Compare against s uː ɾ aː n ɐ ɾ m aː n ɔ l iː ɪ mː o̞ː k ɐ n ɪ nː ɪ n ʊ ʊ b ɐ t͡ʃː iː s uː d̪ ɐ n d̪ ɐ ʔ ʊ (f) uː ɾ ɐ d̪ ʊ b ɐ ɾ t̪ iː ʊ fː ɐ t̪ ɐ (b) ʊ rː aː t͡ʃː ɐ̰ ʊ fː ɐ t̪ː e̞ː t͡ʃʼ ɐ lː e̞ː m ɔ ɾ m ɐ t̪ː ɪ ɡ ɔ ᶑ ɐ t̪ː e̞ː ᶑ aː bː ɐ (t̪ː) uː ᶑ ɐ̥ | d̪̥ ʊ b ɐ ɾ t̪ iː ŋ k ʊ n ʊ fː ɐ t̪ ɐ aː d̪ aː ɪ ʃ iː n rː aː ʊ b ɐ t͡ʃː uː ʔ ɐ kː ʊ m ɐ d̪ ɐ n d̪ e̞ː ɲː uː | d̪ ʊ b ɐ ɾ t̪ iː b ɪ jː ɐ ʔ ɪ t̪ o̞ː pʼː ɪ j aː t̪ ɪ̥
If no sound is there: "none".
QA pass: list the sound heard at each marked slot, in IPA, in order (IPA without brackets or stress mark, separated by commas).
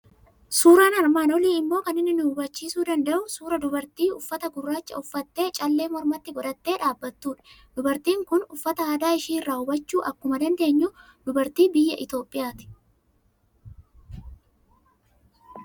s, ɡ, t̪ː